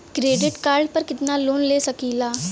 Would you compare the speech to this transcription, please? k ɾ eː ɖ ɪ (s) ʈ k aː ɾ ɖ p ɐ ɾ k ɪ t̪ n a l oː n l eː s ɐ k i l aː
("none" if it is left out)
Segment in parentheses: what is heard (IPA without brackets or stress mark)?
none